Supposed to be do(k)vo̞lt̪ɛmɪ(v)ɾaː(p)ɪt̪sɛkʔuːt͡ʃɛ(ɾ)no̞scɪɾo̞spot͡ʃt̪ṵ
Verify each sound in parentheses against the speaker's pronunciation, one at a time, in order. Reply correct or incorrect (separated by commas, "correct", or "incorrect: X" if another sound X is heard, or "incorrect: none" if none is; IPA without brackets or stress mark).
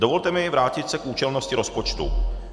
incorrect: none, correct, incorrect: c, incorrect: l